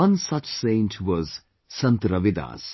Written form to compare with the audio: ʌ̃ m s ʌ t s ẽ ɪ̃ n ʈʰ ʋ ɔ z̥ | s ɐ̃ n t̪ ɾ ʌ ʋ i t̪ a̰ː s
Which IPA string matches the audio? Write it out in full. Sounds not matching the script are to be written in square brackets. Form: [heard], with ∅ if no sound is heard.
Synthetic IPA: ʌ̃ [n] s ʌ [t͡ʃ] s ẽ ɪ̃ n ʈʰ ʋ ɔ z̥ | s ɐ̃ n t̪ ɾ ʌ ʋ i [d̪] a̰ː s

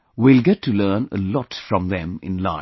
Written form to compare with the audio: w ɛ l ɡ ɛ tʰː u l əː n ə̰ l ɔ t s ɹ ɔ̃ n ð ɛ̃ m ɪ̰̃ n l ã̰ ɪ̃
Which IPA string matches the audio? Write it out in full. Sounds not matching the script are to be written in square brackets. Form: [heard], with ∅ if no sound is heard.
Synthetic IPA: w [i] l ɡ ɛ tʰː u l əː n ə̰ l ɔ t [f] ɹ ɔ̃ [m] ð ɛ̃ m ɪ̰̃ n l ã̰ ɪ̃

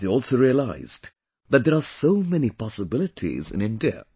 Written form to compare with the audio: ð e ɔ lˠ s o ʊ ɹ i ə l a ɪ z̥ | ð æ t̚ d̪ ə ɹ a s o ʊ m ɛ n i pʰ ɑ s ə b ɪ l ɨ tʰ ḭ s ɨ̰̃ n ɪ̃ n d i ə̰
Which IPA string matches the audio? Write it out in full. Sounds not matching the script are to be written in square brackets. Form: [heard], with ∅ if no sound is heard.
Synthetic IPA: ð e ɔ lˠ s o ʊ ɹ i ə l a ɪ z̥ | ð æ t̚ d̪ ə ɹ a s o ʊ m ɛ n i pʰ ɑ s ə b ɪ l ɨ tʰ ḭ [z] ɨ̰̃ n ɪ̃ n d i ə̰

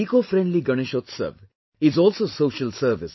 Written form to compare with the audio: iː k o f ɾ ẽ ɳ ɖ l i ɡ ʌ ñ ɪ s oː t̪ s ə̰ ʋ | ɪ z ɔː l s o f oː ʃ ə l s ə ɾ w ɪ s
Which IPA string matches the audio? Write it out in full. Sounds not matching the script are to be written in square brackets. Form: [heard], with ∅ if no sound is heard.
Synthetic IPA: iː k o f ɾ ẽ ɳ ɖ l i ɡ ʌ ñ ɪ [ʃ] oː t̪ s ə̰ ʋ | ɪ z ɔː l s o [s] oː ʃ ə l s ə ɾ [ʋ] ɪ s

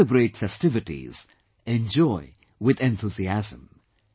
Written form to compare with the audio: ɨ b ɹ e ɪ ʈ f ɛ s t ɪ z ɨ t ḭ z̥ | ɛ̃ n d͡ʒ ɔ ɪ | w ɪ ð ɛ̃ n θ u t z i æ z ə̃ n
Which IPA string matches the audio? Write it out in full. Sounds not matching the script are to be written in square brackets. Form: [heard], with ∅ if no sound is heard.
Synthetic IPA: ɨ b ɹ e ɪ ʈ f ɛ s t ɪ [v] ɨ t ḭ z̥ | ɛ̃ n d͡ʒ ɔ ɪ | w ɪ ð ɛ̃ n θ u [∅] z i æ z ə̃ [m]

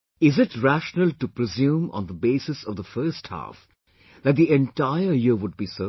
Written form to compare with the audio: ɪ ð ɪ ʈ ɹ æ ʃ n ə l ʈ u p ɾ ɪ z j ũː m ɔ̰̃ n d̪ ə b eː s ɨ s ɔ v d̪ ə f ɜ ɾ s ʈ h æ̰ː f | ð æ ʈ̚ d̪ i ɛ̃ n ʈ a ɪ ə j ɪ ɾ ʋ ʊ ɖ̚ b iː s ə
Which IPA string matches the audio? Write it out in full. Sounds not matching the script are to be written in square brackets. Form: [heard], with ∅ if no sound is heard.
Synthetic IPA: ɪ [z] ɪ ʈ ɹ æ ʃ n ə l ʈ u p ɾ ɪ z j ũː m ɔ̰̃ n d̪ ə b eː s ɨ s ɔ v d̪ ə f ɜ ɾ s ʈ h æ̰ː f | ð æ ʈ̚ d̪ i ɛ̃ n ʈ a ɪ ə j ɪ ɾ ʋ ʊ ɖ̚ b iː s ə

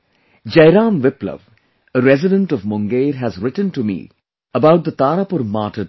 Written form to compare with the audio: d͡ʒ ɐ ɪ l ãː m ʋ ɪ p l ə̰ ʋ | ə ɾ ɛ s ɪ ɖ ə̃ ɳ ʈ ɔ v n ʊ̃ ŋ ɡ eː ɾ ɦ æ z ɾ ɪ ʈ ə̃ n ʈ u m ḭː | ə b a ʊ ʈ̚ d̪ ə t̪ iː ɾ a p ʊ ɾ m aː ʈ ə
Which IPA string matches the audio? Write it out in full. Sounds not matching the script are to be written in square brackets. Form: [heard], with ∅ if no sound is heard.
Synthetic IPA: d͡ʒ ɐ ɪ [ɾ] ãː m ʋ ɪ p l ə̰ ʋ | ə ɾ ɛ [z] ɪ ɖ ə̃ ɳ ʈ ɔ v [m] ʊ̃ ŋ ɡ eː ɾ ɦ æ z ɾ ɪ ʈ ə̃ n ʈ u m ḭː | ə b a ʊ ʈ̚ d̪ ə t̪ [aː] ɾ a p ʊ ɾ m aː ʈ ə

